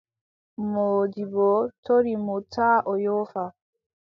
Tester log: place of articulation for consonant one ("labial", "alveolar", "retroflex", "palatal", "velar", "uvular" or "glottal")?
labial